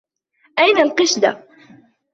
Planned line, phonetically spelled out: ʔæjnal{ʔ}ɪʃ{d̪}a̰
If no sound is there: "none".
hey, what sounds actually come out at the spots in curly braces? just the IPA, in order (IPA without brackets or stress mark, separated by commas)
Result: q, d̪